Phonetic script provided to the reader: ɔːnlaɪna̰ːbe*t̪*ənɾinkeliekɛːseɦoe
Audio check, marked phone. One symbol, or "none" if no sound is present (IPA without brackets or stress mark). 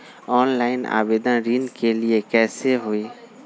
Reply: d̪